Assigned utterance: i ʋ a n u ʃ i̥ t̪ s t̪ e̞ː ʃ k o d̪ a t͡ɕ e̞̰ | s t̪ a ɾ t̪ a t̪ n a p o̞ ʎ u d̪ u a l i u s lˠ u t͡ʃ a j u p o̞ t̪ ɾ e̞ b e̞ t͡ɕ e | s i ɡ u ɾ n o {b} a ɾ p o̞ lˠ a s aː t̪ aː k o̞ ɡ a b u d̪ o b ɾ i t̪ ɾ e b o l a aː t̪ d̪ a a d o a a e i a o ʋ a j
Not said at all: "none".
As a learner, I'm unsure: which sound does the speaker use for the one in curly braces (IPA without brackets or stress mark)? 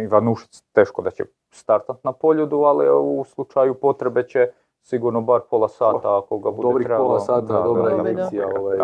b